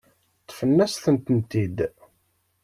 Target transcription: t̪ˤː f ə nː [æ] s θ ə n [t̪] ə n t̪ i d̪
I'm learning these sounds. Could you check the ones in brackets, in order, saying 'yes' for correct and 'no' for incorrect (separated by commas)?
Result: yes, yes